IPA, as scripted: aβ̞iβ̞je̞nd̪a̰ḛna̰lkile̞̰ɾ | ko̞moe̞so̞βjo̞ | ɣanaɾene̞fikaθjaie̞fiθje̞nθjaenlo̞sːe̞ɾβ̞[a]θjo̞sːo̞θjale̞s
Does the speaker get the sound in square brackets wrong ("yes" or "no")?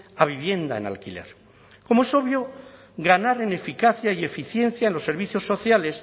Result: yes